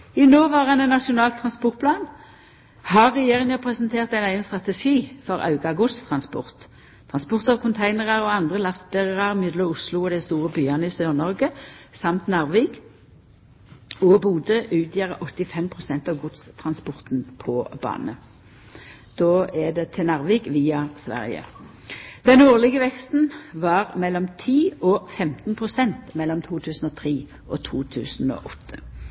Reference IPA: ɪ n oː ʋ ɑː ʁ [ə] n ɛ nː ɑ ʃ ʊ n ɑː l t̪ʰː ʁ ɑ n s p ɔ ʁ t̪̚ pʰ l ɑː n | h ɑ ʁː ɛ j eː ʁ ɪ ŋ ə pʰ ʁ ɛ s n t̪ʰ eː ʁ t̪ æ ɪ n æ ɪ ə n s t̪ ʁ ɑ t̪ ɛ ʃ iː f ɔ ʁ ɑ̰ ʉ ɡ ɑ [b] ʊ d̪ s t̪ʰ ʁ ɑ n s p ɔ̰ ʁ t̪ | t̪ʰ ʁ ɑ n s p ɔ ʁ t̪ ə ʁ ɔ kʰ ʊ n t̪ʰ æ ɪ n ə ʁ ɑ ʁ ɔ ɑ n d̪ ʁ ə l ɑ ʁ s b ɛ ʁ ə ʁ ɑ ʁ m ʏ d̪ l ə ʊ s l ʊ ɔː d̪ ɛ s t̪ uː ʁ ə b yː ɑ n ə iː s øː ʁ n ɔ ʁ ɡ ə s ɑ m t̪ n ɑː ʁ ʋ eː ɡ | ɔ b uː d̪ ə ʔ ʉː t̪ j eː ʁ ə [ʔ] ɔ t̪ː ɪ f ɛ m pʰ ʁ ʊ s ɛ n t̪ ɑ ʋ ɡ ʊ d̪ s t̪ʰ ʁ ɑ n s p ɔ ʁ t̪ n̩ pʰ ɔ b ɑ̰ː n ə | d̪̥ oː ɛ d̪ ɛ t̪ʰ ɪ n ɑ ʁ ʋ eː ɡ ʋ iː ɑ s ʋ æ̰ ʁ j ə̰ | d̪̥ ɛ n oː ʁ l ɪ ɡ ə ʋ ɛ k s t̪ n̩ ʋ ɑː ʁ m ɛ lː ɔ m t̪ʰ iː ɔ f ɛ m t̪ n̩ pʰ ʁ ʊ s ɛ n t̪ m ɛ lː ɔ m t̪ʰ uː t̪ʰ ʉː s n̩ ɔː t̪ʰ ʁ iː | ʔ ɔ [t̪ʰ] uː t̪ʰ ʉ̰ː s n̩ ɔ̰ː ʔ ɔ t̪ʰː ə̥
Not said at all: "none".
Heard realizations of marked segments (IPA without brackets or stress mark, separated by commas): ɑ, ɡ, ʔ, t̪ʰ